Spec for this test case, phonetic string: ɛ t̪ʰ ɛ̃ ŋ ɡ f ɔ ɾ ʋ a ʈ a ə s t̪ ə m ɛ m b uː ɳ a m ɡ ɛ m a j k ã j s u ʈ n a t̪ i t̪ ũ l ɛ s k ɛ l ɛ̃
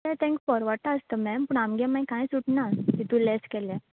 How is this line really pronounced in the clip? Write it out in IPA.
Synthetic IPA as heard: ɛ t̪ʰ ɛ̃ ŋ k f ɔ ɾ ʋ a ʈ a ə s t̪ ə m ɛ m p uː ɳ a m ɡ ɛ m a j k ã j s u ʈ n a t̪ i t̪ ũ l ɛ s k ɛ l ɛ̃